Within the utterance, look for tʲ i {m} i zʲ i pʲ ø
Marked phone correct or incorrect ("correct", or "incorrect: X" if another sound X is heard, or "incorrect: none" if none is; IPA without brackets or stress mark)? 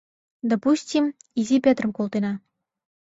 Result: correct